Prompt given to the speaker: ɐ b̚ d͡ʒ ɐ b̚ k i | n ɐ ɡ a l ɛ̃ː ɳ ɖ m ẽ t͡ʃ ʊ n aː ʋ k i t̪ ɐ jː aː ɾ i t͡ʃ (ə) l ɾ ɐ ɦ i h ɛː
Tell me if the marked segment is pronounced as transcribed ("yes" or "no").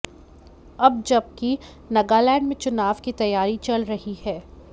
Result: no